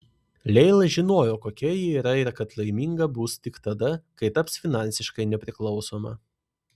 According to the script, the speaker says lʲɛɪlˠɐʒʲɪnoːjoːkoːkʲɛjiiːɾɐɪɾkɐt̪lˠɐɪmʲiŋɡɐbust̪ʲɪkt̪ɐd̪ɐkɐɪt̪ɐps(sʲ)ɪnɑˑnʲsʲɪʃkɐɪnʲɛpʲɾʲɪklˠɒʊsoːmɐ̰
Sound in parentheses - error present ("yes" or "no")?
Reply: yes